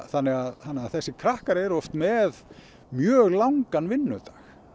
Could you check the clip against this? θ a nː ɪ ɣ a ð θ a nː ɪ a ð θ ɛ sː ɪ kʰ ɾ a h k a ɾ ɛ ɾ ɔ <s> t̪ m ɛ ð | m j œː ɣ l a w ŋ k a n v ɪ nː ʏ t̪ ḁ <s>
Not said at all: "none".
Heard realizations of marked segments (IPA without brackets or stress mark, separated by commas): f, x